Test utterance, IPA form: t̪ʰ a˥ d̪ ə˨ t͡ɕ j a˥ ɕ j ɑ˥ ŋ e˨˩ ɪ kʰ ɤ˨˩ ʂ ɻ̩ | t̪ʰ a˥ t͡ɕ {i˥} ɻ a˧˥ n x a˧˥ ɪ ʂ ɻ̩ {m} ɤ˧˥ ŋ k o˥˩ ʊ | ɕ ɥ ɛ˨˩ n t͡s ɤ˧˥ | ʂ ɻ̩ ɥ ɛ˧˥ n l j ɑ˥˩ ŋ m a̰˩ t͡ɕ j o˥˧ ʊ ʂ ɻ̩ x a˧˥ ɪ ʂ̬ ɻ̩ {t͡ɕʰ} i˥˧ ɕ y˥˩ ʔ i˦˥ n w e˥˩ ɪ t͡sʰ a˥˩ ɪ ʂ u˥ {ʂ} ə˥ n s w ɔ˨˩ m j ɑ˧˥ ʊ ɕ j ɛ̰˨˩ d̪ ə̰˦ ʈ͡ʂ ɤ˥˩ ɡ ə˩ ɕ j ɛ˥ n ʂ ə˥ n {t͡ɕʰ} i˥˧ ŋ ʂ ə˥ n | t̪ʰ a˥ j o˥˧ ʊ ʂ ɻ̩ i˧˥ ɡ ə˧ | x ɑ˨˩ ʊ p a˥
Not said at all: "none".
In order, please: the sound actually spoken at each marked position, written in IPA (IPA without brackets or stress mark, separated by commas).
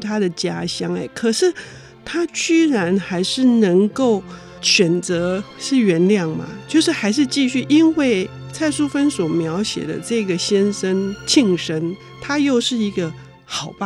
y˥, n, t͡ɕ, f, t͡ɕʰ